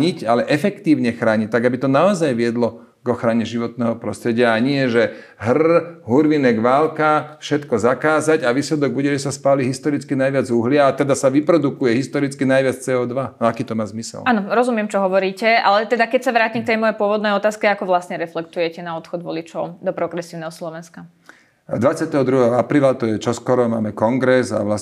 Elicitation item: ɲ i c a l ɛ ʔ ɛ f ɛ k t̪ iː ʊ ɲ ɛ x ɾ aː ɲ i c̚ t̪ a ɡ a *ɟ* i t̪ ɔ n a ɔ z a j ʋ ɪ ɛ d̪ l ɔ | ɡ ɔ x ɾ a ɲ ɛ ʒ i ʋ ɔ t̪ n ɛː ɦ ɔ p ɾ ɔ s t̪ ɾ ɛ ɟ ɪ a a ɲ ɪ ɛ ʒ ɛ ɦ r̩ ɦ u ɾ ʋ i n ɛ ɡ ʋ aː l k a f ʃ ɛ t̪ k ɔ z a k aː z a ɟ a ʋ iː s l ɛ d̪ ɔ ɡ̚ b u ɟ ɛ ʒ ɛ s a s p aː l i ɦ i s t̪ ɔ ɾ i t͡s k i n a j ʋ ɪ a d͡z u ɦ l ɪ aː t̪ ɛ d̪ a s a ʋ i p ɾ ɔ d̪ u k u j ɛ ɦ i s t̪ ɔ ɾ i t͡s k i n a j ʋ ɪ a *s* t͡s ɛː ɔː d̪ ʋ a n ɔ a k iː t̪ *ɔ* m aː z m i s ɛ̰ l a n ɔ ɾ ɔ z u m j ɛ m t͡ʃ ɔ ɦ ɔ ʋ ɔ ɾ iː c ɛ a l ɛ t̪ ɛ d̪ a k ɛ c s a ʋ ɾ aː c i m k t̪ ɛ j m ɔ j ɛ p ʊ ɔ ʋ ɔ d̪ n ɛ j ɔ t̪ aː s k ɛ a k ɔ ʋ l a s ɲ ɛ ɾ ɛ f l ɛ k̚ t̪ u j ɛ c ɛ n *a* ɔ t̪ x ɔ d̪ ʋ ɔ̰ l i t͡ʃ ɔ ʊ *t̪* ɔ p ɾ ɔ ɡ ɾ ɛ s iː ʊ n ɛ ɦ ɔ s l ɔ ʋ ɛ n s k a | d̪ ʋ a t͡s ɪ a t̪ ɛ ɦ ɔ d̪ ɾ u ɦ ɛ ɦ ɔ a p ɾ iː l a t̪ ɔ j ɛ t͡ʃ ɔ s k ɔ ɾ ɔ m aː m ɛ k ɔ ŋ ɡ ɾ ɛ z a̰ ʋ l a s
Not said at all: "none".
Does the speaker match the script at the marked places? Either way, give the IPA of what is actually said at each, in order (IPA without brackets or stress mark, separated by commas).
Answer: b, t͡s, ɔ, a, d̪